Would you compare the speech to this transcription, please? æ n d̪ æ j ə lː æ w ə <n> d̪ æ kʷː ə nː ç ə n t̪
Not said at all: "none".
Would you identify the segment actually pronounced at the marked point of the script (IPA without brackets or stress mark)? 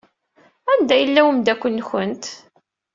m